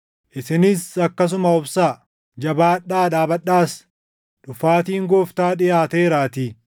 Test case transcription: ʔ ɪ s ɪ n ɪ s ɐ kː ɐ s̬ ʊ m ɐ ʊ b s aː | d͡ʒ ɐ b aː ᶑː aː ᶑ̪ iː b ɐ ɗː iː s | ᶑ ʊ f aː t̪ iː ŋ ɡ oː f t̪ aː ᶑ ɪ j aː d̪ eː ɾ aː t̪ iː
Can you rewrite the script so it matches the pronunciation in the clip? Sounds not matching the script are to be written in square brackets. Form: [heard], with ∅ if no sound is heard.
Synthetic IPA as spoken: ʔ ɪ s ɪ n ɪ s ɐ kː ɐ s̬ ʊ m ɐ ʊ b s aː | d͡ʒ ɐ b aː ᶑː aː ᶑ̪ [aː] b ɐ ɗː [aː] s | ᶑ ʊ f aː t̪ iː ŋ ɡ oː f t̪ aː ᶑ ɪ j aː [t̪] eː ɾ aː t̪ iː